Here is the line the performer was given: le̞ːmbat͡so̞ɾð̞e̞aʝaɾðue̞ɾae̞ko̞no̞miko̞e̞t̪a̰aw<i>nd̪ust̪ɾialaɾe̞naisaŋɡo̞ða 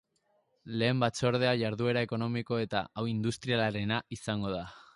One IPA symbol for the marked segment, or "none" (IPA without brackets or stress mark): i